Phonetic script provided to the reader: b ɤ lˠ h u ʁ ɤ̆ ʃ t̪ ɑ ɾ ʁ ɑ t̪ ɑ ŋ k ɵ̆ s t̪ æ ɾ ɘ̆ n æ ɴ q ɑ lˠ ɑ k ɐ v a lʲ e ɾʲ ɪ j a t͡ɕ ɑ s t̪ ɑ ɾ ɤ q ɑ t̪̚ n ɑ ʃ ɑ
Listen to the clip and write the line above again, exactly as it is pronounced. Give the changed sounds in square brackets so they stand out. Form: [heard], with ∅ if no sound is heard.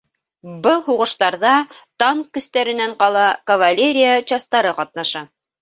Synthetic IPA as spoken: b ɤ lˠ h u ʁ ɤ̆ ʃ t̪ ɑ ɾ [ð] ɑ t̪ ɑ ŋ k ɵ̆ s t̪ æ ɾ ɘ̆ n æ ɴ q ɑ lˠ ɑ k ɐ v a lʲ e ɾʲ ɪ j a t͡ɕ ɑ s t̪ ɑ ɾ ɤ q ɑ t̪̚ n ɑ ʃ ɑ